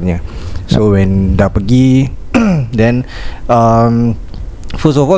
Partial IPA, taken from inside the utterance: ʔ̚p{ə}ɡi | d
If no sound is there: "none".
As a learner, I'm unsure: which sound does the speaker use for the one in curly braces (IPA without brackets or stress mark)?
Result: ə